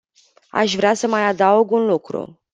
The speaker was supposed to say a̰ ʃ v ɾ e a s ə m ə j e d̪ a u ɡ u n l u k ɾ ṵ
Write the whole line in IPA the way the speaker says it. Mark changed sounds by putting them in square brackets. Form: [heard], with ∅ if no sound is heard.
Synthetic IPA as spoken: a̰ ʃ v ɾ e a s ə m [a] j [a] d̪ a u ɡ u n l u k ɾ ṵ

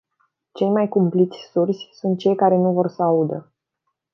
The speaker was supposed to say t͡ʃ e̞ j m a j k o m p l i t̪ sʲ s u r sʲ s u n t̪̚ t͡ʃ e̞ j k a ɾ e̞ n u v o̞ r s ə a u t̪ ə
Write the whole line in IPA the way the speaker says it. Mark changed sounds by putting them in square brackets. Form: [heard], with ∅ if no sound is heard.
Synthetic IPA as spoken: t͡ʃ e̞ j m a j k [u] m p l i t̪ sʲ s u r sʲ s u n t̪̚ t͡ʃ e̞ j k a ɾ e̞ n u v o̞ r s ə a u [d̪] ə

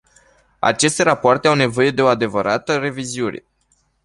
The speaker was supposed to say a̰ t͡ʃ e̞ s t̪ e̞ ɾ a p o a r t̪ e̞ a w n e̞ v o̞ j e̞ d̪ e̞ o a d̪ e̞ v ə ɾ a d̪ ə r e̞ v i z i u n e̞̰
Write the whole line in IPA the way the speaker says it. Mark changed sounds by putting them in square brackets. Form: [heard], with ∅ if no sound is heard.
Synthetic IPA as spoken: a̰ t͡ʃ e̞ s t̪ e̞ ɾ a p o a r t̪ e̞ a w n e̞ v o̞ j e̞ d̪ e̞ o a d̪ e̞ v ə ɾ a [t̪] ə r e̞ v i z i u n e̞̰

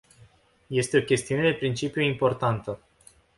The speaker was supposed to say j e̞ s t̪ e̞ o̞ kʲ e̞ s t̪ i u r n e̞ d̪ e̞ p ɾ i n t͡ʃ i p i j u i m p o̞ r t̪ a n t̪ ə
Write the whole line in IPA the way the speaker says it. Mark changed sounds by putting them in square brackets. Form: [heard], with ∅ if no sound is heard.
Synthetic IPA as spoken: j e̞ s t̪ e̞ o̞ kʲ e̞ s t̪ i u [∅] n e̞ d̪ e̞ p ɾ i n t͡ʃ i p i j u i m p o̞ r t̪ a n t̪ ə

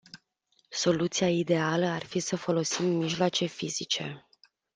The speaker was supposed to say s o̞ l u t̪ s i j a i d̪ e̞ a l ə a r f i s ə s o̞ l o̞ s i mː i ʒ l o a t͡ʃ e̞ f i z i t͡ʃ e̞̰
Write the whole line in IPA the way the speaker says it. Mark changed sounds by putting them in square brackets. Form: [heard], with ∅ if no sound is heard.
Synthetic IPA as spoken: s o̞ l u t̪ s i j a i d̪ e̞ a l ə a r f i s ə [f] o̞ l o̞ s i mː i ʒ l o a t͡ʃ e̞ f i z i t͡ʃ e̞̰

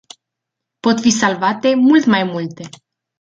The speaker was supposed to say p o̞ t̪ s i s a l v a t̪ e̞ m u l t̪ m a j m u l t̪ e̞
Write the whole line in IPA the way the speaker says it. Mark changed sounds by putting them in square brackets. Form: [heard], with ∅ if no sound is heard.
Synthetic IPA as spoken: p o̞ t̪ [f] i s a l v a t̪ e̞ m u l t̪ m a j m u l t̪ e̞

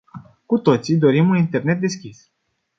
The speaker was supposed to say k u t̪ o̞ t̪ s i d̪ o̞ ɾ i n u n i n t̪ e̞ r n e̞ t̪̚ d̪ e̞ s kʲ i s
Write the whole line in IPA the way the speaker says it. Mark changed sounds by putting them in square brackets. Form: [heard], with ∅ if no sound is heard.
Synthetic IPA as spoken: k u t̪ o̞ t̪ s i d̪ o̞ ɾ i [m] u n i n t̪ e̞ r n e̞ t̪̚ d̪ e̞ s kʲ i s

